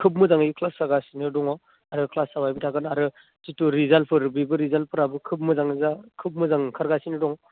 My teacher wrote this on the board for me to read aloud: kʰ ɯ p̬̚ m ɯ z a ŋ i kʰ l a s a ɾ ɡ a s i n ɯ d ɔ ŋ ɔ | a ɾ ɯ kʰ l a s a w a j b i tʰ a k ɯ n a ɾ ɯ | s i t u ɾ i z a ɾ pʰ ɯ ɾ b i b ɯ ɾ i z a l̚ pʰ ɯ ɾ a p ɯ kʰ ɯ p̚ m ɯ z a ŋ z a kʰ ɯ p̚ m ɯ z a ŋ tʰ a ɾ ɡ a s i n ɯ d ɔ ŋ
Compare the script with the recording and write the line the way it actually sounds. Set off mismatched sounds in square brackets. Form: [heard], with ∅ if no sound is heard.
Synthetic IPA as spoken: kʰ ɯ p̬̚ m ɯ z a ŋ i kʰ l a s a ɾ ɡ a s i n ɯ d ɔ ŋ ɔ | a ɾ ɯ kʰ l a s a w a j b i tʰ a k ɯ n a ɾ ɯ | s i t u ɾ i z a [l] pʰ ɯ ɾ b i b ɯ ɾ i z a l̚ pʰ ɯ ɾ a [b] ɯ kʰ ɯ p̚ m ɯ z a ŋ z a kʰ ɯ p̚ m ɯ z a ŋ [kʰ] a ɾ ɡ a s i n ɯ d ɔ ŋ